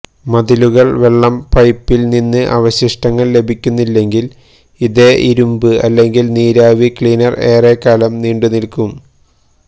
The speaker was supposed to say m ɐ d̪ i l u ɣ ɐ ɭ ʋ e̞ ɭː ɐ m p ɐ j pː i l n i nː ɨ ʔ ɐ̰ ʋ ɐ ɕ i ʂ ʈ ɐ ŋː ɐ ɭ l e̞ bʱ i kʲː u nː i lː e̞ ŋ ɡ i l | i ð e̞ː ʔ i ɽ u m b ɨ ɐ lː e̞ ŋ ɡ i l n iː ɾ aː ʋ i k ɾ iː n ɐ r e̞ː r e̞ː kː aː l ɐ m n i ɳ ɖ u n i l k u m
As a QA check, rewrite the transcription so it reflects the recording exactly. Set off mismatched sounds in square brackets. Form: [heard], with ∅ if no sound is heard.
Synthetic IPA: m ɐ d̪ i l u ɣ ɐ ɭ ʋ e̞ ɭː ɐ m p ɐ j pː i l n i nː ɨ ʔ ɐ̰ ʋ ɐ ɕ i ʂ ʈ ɐ ŋː ɐ ɭ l e̞ bʱ i kʲː u nː i lː e̞ ŋ ɡ i l | i ð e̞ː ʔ i [ɾ] u m b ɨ ɐ lː e̞ ŋ ɡ i l n iː ɾ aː ʋ i k [ɭ] iː n ɐ r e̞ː r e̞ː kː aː l ɐ m n [iː] ɳ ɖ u n i l k u m